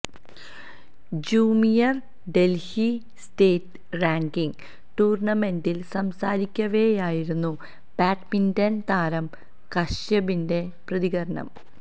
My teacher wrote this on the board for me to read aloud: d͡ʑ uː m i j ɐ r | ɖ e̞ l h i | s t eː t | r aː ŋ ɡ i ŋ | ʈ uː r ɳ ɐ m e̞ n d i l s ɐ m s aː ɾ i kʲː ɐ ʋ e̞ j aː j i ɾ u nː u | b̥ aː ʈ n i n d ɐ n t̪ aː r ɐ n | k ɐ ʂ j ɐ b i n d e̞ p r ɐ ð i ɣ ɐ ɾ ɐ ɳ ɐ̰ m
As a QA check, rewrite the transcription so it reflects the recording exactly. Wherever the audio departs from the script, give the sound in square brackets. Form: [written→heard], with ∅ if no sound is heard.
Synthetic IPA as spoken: d͡ʑ uː m i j ɐ r | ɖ e̞ l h i | s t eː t | r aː ŋ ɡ i ŋ | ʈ uː r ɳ ɐ m e̞ n d i l s ɐ m s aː ɾ i kʲː ɐ ʋ e̞ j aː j i ɾ u nː u | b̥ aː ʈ [n→m] i n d ɐ n t̪ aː [r→ɾ] ɐ [n→m] | k ɐ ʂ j ɐ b i n d e̞ p r ɐ ð i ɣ ɐ ɾ ɐ ɳ ɐ̰ m

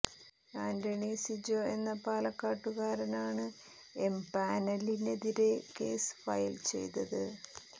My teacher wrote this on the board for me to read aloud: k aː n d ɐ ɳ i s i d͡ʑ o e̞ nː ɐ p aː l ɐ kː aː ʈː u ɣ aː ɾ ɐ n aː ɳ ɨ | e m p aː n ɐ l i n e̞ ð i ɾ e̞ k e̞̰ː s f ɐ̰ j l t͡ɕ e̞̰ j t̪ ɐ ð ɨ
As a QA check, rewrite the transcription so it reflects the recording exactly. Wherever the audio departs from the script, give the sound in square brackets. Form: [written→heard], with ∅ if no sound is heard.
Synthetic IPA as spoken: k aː n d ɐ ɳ i s i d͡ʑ o e̞ nː ɐ p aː l ɐ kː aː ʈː u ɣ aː ɾ ɐ n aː ɳ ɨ | e m p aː n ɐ l i n e̞ ð i ɾ e̞ k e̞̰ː s f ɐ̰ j l t͡ɕ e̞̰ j t̪ ɐ ð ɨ

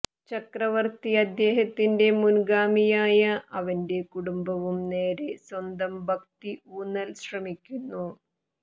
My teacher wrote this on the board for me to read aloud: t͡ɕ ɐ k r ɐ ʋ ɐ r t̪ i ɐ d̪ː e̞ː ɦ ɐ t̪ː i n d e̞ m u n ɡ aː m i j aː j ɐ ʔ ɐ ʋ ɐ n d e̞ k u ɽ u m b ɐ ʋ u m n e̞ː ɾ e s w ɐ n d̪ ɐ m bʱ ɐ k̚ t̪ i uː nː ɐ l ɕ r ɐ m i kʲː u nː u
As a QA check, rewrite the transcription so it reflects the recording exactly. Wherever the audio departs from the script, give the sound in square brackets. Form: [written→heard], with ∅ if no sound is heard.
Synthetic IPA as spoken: t͡ɕ ɐ k r ɐ ʋ ɐ r t̪ i ɐ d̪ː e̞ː ɦ ɐ t̪ː i n d e̞ m u n ɡ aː m i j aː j ɐ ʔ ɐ ʋ ɐ n d e̞ k u ɽ u m b ɐ ʋ u m n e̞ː ɾ e s w ɐ n d̪ ɐ m bʱ ɐ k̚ t̪ i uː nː ɐ l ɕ r ɐ m i kʲː u nː u

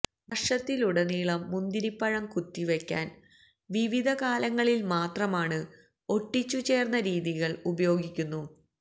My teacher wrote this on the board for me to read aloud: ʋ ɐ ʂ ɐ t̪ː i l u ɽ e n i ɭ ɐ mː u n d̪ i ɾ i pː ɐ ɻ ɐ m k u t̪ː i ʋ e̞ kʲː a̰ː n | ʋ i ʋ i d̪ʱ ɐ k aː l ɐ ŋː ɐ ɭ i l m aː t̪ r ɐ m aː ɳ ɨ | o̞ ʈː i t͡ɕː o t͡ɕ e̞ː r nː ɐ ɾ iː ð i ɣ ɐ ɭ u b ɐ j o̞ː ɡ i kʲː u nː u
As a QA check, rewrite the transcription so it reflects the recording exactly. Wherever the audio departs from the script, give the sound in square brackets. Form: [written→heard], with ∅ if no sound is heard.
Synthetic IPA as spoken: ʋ ɐ ʂ ɐ t̪ː i l u ɽ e n [i→iː] ɭ ɐ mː u n d̪ i ɾ i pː ɐ ɻ ɐ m k u t̪ː i ʋ e̞ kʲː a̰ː n | ʋ i ʋ i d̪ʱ ɐ k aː l ɐ ŋː ɐ ɭ i l m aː t̪ r ɐ m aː ɳ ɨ | o̞ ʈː i t͡ɕː [o→u] t͡ɕ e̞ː r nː ɐ ɾ iː ð i ɣ ɐ ɭ u b ɐ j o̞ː ɡ i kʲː u nː u

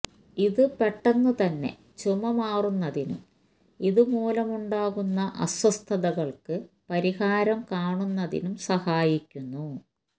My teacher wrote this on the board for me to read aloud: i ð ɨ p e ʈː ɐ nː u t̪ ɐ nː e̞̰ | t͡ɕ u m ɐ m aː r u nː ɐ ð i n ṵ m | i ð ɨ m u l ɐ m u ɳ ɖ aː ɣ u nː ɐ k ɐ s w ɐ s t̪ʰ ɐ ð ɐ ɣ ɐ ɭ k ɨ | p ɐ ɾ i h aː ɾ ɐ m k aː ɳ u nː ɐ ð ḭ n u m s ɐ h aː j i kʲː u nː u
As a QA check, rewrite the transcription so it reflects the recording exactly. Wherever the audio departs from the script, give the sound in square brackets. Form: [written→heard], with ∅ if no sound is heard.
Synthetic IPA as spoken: i ð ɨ p e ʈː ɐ nː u t̪ ɐ nː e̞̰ | t͡ɕ u m ɐ m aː r u nː ɐ ð i n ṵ m | i ð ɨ m [u→uː] l ɐ m u ɳ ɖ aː ɣ u nː ɐ [k→ʔ] ɐ s w ɐ s t̪ʰ ɐ ð ɐ ɣ ɐ ɭ k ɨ | p ɐ ɾ i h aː ɾ ɐ m k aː ɳ u nː ɐ ð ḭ n u m s ɐ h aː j i kʲː u nː u

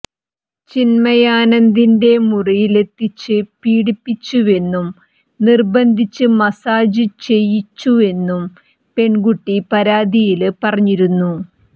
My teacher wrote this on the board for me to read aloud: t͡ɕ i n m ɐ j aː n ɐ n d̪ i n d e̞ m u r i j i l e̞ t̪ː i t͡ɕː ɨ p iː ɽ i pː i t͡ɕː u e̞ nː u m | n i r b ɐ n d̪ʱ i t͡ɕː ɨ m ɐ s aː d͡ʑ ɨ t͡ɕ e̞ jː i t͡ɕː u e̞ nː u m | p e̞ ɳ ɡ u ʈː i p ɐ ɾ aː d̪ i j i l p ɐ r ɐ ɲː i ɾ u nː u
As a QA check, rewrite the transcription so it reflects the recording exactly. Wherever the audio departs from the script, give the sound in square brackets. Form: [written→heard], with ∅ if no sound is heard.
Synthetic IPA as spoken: t͡ɕ i n m ɐ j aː n ɐ n d̪ i n d e̞ m u r i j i l e̞ t̪ː i t͡ɕː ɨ p iː ɽ i pː i t͡ɕː u e̞ nː u m | n i r b ɐ n d̪ʱ i t͡ɕː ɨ m ɐ s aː d͡ʑ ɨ t͡ɕ e̞ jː i t͡ɕː u e̞ nː u m | p e̞ ɳ ɡ u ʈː i p ɐ ɾ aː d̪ i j i l p ɐ r ɐ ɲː i ɾ u nː u

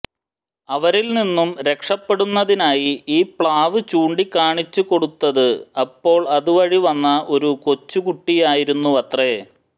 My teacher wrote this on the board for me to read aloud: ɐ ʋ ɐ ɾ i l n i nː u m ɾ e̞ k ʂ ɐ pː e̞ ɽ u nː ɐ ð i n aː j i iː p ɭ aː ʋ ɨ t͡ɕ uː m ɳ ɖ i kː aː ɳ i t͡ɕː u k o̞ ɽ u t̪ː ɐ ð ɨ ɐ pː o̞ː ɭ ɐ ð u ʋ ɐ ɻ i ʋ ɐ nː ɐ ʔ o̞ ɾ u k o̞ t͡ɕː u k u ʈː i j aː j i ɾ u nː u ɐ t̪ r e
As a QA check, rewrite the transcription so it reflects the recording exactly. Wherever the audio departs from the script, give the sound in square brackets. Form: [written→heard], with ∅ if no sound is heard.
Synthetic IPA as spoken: ɐ ʋ ɐ ɾ i l n i nː u m ɾ e̞ k ʂ ɐ pː e̞ ɽ u nː ɐ ð i n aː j i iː p ɭ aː ʋ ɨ t͡ɕ uː [m→∅] ɳ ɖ i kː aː ɳ i t͡ɕː u k o̞ ɽ u t̪ː ɐ ð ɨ ɐ pː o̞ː ɭ ɐ ð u ʋ ɐ ɻ i ʋ ɐ nː ɐ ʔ o̞ ɾ u k o̞ t͡ɕː u k u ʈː i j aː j i ɾ u nː u ɐ t̪ r e

